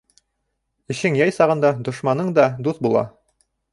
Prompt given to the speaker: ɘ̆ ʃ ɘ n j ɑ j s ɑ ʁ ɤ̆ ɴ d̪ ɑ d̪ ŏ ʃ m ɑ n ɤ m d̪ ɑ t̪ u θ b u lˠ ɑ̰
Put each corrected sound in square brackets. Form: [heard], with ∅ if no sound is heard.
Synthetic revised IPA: ɘ̆ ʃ ɘ [ŋ] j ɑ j s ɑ ʁ ɤ̆ [n] d̪ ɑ d̪ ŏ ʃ m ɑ n ɤ [ɴ] d̪ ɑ [d̪] u θ b u lˠ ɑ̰